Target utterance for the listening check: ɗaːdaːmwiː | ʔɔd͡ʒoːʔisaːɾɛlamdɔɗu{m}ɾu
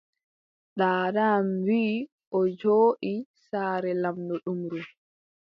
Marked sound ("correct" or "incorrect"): correct